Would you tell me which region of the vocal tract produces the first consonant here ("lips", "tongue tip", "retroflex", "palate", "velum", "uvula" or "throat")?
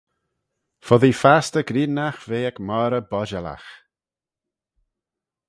lips